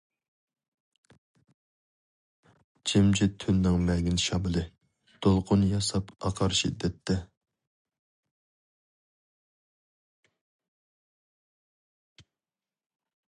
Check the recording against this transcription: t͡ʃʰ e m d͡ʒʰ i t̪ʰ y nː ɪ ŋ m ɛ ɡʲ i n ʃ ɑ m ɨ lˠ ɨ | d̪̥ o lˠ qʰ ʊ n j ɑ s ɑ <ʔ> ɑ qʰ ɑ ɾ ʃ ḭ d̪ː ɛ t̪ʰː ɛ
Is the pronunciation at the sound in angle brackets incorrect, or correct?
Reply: incorrect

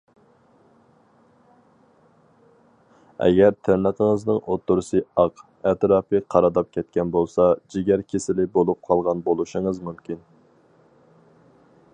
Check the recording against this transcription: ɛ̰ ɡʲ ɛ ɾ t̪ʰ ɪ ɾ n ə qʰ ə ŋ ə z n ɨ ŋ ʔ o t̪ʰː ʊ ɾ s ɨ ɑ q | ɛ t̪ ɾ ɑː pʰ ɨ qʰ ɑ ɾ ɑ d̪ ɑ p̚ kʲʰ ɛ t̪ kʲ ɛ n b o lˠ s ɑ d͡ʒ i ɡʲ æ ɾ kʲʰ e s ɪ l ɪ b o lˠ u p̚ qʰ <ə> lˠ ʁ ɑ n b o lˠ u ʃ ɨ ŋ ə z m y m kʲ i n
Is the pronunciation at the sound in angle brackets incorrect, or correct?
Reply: incorrect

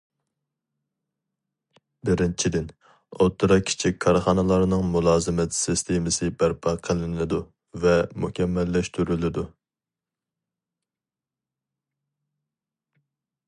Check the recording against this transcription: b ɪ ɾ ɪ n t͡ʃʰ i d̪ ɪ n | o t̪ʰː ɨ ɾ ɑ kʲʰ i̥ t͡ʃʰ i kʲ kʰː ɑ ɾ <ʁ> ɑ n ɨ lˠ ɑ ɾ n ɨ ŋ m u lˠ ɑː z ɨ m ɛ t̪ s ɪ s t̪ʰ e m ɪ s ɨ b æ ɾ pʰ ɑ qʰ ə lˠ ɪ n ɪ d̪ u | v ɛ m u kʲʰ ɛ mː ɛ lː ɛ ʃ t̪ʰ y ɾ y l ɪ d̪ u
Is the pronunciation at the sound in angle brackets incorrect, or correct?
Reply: incorrect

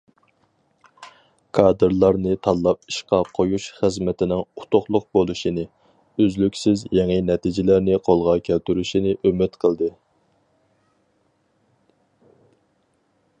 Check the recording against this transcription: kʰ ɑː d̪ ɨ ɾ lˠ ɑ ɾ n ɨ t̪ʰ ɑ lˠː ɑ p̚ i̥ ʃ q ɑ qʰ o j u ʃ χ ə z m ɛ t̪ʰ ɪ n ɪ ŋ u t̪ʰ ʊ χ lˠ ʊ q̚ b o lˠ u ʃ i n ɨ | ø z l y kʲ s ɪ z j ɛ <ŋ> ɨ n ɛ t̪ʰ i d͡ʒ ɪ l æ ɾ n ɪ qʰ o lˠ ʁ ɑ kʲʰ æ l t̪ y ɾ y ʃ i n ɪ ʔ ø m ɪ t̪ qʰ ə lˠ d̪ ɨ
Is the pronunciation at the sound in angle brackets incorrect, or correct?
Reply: correct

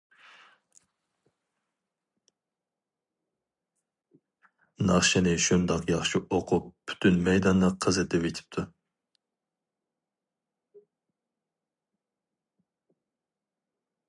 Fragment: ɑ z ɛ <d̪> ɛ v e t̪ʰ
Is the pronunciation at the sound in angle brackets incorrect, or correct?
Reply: incorrect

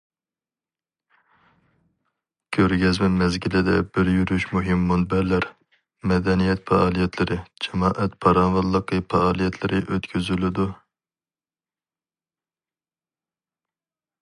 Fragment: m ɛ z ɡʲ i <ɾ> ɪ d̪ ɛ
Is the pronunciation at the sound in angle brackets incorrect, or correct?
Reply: incorrect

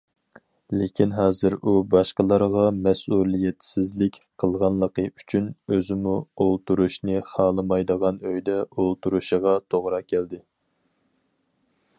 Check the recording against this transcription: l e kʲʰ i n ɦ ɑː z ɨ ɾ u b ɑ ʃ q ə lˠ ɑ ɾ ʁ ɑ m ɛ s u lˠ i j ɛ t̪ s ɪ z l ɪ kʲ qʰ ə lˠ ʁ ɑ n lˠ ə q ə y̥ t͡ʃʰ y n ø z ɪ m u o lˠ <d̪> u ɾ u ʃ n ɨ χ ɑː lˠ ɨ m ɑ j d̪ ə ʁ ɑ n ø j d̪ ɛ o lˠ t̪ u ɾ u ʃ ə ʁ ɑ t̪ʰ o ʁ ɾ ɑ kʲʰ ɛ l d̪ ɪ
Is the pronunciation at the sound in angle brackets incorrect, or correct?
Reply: incorrect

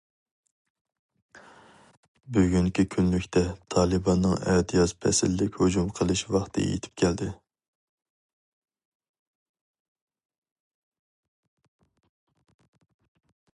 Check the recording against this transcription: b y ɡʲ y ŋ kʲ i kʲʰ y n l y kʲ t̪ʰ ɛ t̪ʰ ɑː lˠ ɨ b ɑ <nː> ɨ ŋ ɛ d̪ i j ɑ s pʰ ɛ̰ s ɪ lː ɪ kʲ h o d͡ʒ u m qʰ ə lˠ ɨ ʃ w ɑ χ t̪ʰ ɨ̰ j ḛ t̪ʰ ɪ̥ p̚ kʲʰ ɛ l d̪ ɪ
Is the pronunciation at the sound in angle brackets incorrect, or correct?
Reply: correct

